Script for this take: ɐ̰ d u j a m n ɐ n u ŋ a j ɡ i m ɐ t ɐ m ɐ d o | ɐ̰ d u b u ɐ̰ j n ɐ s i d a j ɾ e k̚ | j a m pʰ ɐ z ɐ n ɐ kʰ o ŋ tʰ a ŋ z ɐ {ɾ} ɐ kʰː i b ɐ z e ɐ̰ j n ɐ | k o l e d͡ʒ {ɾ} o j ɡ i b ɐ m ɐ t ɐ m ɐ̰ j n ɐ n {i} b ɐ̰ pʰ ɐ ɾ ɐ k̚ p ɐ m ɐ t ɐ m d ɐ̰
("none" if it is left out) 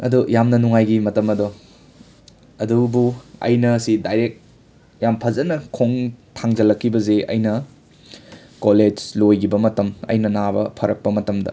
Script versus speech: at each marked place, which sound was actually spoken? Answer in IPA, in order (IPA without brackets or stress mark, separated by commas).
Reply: l, l, a